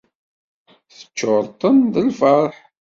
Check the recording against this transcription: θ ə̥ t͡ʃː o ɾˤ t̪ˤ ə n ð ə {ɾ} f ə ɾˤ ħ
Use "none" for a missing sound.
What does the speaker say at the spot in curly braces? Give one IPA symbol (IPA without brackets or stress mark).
l